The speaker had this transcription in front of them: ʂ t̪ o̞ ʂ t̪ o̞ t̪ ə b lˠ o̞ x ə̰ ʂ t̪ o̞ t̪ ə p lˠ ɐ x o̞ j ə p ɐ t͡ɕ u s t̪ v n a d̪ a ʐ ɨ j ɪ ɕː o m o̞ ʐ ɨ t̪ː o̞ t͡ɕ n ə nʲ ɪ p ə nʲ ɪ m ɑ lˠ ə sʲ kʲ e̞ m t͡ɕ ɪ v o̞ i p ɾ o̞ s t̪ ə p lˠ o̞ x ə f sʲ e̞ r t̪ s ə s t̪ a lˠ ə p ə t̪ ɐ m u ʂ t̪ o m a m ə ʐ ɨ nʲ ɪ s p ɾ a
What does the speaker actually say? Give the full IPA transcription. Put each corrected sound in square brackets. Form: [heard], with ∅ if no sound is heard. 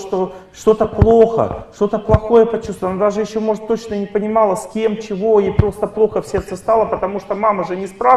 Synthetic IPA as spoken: ʂ t̪ o̞ ʂ t̪ o̞ t̪ ə [p] lˠ o̞ x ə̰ ʂ t̪ o̞ t̪ ə p lˠ ɐ x o̞ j ə p ɐ t͡ɕ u s t̪ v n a d̪ a ʐ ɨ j ɪ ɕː o m o̞ ʐ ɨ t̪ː o̞ t͡ɕ n ə nʲ ɪ p ə nʲ ɪ m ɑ lˠ ə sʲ kʲ e̞ m t͡ɕ ɪ v o̞ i p ɾ o̞ s t̪ ə p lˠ o̞ x ə f sʲ e̞ r t̪ s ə s t̪ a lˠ ə p ə t̪ ɐ m u ʂ t̪ o m a m ə ʐ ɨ nʲ ɪ s p ɾ a

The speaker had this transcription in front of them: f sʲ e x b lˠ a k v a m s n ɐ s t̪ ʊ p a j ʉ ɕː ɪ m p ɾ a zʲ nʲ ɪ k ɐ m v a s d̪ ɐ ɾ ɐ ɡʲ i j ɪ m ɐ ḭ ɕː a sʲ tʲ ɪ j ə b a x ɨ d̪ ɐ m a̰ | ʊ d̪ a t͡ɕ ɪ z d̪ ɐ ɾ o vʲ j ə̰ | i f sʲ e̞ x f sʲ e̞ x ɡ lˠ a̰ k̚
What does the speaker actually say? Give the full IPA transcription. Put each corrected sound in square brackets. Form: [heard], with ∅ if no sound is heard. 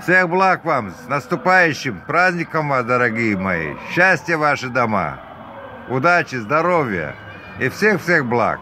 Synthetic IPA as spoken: f sʲ e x b lˠ a k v a m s n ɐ s t̪ ʊ p a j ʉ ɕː ɪ m p ɾ a zʲ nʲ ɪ k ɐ m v a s d̪ ɐ ɾ ɐ ɡʲ i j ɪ m ɐ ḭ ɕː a sʲ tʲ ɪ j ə [v] a [ʂ] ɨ d̪ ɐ m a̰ | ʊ d̪ a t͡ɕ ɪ z d̪ ɐ ɾ o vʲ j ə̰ | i f sʲ e̞ x f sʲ e̞ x [b] lˠ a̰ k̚

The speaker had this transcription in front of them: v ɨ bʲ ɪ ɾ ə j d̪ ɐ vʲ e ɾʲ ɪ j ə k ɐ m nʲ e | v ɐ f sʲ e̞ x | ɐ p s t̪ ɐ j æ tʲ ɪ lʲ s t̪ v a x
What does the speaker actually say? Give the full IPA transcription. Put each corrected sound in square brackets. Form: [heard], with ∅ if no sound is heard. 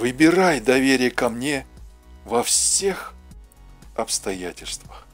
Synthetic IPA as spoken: v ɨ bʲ ɪ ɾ [a] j d̪ ɐ vʲ e ɾʲ ɪ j ə k ɐ m nʲ e | v ɐ f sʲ e̞ x | ɐ p s t̪ ɐ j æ tʲ ɪ lʲ s t̪ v [ə] x

